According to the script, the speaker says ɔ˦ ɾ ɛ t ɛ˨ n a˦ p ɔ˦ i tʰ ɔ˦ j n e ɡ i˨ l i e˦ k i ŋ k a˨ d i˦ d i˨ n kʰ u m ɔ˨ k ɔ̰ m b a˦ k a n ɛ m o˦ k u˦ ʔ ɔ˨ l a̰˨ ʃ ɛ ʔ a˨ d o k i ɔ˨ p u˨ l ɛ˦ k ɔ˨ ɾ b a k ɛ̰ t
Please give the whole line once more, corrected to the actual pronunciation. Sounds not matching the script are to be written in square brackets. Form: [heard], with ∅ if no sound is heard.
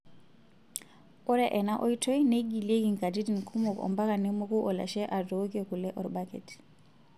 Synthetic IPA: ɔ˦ ɾ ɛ [ʔ] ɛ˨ n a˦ [ʔ] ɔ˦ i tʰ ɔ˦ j n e ɡ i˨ l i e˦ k i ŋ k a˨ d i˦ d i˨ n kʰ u m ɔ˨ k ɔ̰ m b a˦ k a n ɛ m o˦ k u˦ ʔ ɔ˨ l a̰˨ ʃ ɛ ʔ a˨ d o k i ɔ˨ [k] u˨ l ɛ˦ [ʔ] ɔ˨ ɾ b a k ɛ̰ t

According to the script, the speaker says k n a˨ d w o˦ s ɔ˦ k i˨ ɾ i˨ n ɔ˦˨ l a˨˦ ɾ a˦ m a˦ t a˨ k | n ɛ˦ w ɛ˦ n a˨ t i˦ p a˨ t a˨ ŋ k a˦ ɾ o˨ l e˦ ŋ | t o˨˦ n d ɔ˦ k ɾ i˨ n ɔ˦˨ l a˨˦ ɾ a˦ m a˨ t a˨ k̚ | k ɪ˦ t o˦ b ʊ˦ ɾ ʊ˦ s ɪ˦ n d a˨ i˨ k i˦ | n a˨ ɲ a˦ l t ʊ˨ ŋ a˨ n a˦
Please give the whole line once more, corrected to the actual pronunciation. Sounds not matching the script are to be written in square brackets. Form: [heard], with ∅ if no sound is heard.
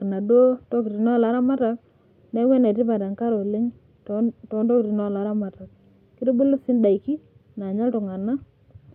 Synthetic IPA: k n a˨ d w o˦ [t] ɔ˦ k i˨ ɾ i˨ n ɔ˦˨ l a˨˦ ɾ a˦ m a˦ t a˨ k | n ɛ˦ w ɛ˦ n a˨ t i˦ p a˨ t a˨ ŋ k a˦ ɾ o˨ l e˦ ŋ | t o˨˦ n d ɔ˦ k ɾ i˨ n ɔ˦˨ l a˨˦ ɾ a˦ m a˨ t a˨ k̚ | k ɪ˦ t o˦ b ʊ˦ [l] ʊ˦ s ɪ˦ n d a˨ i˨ k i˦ | n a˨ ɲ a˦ l t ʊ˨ ŋ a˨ n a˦

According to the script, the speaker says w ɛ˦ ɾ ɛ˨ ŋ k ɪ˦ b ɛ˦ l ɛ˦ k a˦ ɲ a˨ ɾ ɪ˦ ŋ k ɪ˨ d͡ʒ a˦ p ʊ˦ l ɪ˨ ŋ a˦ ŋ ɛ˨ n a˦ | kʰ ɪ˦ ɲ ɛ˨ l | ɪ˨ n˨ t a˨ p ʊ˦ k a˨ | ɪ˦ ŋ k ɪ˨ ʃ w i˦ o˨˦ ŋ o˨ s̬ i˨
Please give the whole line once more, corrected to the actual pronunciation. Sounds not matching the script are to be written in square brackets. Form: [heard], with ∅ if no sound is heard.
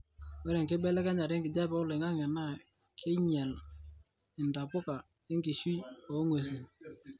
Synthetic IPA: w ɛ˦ ɾ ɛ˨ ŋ k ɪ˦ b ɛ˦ l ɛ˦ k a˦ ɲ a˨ ɾ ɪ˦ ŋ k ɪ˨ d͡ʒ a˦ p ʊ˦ l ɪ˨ ŋ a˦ ŋ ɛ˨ n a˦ | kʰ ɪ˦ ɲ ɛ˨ l | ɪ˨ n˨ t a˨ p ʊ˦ k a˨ | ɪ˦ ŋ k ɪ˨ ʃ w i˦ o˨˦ ŋ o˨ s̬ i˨

